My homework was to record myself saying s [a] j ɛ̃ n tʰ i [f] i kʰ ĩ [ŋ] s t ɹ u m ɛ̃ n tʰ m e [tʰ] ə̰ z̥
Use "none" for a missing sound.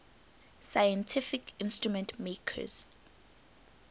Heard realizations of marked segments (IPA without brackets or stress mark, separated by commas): a, f, n, kʰ